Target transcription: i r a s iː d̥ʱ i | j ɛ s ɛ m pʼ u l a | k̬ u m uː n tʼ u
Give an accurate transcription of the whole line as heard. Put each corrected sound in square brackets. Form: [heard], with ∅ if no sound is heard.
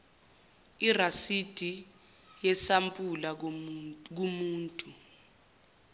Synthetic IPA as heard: i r a s [i] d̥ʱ i | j ɛ s [a] m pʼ u l a | k̬ u m uː n tʼ u

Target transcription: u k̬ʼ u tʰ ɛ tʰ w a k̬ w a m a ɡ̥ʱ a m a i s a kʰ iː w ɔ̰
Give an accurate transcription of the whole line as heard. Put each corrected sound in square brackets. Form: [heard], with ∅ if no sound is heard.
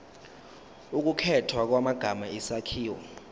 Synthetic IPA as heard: u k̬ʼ u [kʰ] ɛ tʰ w a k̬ w a m a ɡ̥ʱ a m a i s a kʰ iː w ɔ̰

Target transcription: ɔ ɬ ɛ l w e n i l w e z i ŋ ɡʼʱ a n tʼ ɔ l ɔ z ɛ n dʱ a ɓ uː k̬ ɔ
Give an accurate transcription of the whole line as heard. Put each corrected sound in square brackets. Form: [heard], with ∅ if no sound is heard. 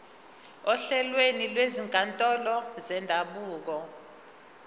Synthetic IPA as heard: ɔ ɬ ɛ l w e n i l w e z i ŋ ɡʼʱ a n tʼ ɔ l ɔ z ɛ n dʱ a ɓ uː k̬ ɔ

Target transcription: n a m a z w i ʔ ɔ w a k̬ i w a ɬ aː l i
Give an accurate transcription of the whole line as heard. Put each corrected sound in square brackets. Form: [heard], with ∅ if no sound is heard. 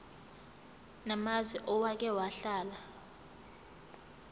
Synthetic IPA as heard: n a m a z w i ʔ ɔ w a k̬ [ɛ] w a ɬ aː l [a]

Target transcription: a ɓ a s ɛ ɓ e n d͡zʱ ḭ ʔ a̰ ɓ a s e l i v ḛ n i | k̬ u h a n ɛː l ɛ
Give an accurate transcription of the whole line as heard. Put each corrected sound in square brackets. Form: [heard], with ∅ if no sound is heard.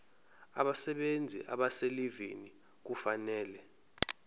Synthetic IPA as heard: a ɓ a s ɛ ɓ e n d͡zʱ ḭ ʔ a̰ ɓ a s e l i v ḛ n i | k̬ u [f] a n ɛː l ɛ

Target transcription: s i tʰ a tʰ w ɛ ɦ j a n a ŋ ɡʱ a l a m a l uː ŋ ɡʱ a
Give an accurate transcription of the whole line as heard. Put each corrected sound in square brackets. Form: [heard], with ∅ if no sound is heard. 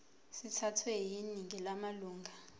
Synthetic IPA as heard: s i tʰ a tʰ w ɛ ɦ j [i] n [i] ŋ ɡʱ [ɛ] l a m a l uː ŋ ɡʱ a

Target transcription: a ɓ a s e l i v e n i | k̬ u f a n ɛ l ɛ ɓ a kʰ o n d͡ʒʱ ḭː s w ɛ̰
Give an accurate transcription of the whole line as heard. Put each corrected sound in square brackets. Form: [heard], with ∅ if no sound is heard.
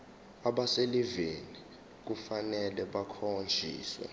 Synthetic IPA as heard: a ɓ a s e l i v e n i | k̬ u f a n ɛ l ɛ ɓ a kʰ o n d͡ʒʱ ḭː s w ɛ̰

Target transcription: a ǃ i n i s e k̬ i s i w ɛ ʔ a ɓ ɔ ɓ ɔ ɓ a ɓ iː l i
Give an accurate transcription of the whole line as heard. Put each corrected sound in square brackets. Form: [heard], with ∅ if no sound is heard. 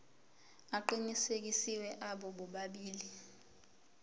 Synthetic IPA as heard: a ǃ i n i s e k̬ i s i w ɛ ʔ a ɓ ɔ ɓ ɔ ɓ a ɓ iː l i

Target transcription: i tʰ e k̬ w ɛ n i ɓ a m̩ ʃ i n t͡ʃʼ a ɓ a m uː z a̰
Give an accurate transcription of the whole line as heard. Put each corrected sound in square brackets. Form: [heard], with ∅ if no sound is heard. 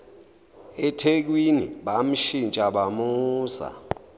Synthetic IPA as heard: [ɛ] tʰ e k̬ w [i] n i ɓ a m̩ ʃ i n t͡ʃʼ a ɓ a m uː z a̰

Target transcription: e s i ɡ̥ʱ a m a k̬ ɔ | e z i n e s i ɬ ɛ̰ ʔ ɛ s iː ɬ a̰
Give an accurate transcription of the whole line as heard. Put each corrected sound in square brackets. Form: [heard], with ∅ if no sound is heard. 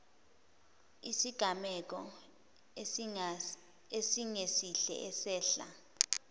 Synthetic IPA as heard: [i] s i ɡ̥ʱ a m [ɛ] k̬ ɔ | e [s] i [ŋ] e s i ɬ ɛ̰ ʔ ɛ s [ɛː] ɬ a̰

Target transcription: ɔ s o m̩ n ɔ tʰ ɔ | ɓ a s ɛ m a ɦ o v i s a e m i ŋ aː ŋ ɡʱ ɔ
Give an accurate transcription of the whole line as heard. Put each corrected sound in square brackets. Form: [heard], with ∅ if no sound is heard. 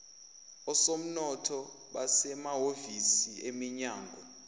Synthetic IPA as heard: ɔ s o m̩ n ɔ tʰ ɔ | ɓ a s ɛ m a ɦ o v i s [i] e m i [ɲ] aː ŋ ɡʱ ɔ

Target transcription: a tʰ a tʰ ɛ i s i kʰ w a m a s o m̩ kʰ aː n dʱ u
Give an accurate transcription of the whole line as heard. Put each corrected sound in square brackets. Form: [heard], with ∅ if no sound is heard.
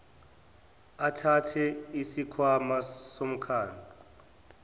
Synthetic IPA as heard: a tʰ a tʰ ɛ i s i kʰ w a m a s o m̩ kʰ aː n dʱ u

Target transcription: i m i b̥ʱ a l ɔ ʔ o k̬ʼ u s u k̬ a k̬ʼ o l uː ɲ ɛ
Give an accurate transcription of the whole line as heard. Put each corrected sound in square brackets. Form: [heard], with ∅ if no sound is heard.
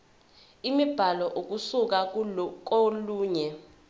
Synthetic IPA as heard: i m i b̥ʱ a l ɔ ʔ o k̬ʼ u s u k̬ a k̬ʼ o l uː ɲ ɛ

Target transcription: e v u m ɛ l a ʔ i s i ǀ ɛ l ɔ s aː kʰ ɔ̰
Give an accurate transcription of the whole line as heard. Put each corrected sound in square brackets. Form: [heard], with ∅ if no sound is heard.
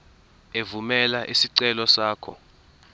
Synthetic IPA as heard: e v u m ɛ l a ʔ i s i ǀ ɛ l ɔ s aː kʰ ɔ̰

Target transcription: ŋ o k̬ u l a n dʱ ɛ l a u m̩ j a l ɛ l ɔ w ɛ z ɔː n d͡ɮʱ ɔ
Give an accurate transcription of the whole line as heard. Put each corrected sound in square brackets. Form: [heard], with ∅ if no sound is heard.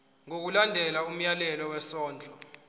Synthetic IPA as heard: ŋ o k̬ u l a n dʱ ɛ l a u m̩ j a l ɛ l ɔ w ɛ [s] ɔː n d͡ɮʱ ɔ

